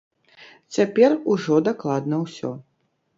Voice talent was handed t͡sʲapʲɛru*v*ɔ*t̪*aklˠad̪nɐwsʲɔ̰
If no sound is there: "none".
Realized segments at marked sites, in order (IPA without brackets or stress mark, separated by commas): ʐ, d̪